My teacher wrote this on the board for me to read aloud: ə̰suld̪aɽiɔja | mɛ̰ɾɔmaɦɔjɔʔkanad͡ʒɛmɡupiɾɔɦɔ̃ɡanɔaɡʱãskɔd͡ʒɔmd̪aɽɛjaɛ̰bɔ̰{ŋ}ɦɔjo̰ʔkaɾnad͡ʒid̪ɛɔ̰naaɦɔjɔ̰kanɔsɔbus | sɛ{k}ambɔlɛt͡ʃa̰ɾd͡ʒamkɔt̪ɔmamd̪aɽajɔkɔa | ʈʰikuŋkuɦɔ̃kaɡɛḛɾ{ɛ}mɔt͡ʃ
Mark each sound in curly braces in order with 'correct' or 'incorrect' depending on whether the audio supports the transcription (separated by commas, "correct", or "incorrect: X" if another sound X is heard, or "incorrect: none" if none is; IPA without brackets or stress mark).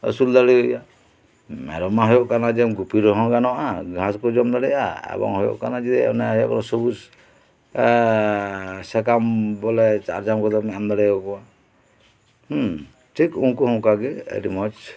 correct, correct, incorrect: i